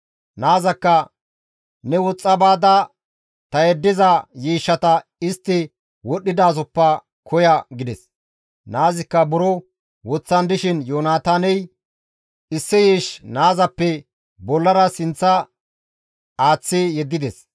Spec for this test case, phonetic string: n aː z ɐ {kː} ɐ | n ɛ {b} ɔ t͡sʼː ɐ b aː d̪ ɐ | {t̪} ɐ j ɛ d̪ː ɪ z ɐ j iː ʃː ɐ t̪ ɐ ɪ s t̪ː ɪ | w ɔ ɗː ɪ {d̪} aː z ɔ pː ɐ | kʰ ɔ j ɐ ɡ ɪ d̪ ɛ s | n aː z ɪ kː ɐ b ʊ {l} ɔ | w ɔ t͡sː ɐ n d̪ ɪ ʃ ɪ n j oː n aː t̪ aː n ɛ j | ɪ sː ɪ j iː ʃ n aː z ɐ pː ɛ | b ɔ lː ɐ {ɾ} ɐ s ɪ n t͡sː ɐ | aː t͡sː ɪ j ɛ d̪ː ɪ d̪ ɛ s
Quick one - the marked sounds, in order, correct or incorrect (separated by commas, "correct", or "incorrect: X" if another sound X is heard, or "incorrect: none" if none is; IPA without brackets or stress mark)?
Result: correct, incorrect: w, correct, correct, incorrect: ɾ, correct